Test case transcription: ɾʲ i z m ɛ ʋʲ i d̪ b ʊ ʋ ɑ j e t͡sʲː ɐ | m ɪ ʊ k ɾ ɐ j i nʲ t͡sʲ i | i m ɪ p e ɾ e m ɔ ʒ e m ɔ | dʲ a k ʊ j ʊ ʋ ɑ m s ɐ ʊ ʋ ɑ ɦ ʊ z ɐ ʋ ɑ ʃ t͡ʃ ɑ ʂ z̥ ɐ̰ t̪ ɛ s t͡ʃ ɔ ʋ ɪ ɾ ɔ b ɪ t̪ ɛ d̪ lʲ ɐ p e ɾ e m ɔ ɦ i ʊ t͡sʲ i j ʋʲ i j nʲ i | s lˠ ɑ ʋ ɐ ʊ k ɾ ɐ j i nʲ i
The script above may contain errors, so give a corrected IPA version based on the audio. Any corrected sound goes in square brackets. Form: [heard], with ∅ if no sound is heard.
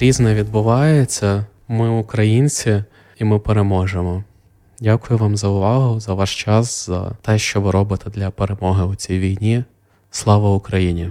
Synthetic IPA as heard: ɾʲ i z [n] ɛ ʋʲ i d̪ b ʊ ʋ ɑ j e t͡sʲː ɐ | m ɪ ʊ k ɾ ɐ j i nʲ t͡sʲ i | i m ɪ p e ɾ e m ɔ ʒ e m ɔ | dʲ a k ʊ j ʊ ʋ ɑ m [z] ɐ ʊ ʋ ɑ ɦ ʊ z ɐ ʋ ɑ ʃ t͡ʃ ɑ [s] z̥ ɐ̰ t̪ ɛ [ʃ] t͡ʃ ɔ ʋ ɪ ɾ ɔ b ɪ t̪ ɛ d̪ lʲ ɐ p e ɾ e m ɔ ɦ [ɪ] ʊ t͡sʲ i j ʋʲ i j nʲ i | s lˠ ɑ ʋ ɐ ʊ k ɾ ɐ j i nʲ i